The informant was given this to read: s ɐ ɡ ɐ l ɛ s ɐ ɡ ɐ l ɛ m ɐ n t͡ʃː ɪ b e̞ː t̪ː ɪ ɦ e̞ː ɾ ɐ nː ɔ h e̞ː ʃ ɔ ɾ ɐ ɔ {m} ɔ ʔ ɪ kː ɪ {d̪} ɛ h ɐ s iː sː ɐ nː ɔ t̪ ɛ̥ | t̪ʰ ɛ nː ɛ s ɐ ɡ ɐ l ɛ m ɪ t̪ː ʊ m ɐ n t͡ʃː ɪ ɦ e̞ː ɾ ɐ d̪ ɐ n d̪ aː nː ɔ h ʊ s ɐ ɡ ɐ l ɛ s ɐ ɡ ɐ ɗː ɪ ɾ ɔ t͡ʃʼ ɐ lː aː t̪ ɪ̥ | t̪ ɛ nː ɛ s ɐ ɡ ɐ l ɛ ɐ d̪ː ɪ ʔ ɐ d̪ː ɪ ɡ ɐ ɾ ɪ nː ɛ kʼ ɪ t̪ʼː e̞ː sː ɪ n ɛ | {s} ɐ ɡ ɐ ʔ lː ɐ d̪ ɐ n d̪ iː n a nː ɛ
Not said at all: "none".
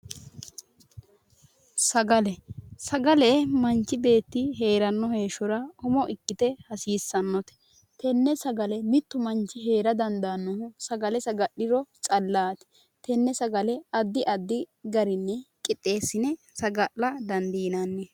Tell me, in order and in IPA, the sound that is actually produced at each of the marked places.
m, t̪, s

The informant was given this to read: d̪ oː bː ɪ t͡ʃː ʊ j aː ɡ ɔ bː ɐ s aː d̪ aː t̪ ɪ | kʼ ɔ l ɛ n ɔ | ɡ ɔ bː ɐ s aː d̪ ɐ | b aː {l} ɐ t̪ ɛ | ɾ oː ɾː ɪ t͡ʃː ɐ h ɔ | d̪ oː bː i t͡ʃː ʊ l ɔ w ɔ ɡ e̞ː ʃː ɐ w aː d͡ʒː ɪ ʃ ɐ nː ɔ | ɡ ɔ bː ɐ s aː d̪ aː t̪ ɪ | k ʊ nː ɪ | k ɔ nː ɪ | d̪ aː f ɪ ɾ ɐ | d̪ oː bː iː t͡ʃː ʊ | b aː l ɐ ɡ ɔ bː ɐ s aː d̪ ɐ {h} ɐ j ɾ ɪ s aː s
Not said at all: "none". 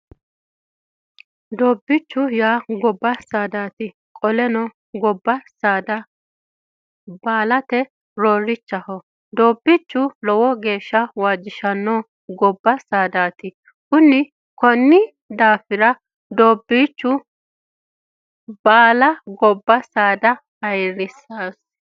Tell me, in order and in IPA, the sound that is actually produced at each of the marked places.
l, h

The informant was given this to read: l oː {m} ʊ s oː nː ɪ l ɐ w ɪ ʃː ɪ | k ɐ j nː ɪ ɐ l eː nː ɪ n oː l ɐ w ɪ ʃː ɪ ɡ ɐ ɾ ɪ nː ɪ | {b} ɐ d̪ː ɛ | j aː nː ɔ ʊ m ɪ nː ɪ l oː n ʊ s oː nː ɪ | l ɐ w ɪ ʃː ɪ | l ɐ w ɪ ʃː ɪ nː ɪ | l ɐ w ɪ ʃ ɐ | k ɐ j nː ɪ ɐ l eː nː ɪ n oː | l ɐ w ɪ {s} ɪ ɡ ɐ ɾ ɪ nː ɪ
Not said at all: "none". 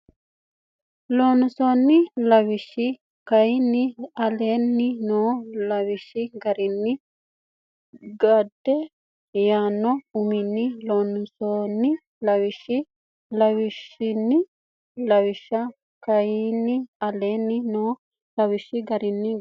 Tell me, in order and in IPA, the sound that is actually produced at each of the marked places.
n, ɡ, ʃ

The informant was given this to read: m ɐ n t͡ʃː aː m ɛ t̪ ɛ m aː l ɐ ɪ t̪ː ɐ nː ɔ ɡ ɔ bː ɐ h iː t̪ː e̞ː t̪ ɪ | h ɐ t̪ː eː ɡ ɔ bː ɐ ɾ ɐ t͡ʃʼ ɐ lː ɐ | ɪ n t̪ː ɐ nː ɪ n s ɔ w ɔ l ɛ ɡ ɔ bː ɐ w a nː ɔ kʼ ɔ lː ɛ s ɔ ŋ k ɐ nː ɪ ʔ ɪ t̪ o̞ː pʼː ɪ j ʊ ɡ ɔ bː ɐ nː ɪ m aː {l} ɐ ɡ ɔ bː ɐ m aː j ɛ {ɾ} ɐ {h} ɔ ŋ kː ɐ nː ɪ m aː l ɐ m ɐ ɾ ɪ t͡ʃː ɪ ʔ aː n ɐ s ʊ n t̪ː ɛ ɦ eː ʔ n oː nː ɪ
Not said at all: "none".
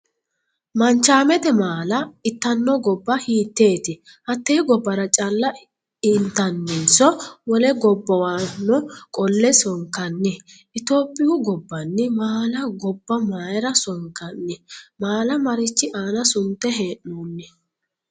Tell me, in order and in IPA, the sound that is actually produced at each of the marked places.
l, ɾ, s

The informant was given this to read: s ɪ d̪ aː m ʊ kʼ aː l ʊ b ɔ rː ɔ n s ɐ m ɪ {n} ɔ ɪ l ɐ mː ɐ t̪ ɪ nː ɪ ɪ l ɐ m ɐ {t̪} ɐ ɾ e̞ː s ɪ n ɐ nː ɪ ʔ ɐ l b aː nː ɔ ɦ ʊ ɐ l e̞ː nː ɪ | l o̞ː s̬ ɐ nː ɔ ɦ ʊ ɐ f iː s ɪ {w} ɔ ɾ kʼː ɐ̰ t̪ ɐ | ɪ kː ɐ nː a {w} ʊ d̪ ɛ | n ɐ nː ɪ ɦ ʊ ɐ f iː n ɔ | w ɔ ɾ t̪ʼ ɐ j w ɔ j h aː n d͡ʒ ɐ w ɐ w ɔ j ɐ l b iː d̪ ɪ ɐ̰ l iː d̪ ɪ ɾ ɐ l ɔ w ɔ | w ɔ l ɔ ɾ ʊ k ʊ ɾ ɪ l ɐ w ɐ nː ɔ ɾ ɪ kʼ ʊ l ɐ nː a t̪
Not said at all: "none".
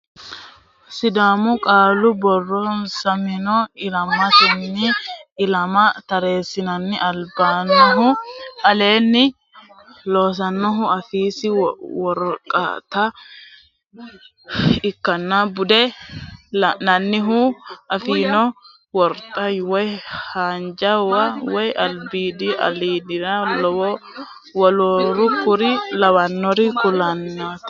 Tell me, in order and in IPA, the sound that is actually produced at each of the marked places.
n, t̪, w, b

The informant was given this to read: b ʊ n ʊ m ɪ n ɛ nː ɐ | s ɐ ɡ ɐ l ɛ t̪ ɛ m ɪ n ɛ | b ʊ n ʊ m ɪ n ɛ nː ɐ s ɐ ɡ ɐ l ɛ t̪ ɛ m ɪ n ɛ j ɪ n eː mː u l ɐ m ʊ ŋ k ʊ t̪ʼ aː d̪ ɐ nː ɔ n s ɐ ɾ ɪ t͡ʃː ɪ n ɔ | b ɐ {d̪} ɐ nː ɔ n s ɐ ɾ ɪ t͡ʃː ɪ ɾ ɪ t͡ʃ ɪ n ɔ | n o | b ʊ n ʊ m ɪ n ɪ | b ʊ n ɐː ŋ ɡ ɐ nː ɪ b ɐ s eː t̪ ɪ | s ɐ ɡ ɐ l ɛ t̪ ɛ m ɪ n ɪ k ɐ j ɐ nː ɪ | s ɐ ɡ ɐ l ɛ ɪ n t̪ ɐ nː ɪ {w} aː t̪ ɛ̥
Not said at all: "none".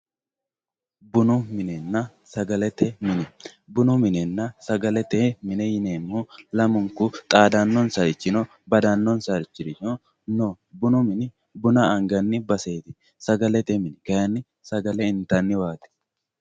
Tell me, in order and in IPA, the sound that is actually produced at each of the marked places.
d̪, w

